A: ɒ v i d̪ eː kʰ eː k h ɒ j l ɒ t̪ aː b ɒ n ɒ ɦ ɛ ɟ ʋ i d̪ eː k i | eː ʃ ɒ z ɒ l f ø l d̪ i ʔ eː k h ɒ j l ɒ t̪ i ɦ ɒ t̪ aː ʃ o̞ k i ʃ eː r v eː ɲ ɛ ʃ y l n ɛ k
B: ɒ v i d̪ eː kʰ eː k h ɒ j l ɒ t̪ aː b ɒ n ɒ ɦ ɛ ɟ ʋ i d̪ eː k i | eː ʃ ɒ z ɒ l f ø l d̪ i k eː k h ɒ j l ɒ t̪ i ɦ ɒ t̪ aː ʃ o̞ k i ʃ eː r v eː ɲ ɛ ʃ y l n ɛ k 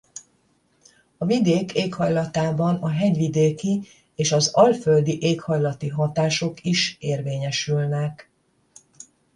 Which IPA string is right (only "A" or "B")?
A